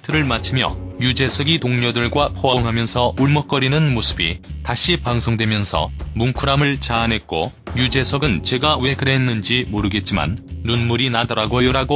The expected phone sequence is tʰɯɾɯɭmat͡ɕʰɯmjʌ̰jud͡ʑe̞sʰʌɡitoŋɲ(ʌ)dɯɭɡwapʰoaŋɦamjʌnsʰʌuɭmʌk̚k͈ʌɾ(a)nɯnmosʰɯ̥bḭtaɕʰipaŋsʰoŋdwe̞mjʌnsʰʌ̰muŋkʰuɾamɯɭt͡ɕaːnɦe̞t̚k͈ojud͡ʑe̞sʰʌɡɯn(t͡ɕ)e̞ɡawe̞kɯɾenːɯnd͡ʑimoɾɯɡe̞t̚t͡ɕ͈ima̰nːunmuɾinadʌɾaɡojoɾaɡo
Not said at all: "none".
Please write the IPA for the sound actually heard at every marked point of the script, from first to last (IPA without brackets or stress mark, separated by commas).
ʌ, i, t͡ɕ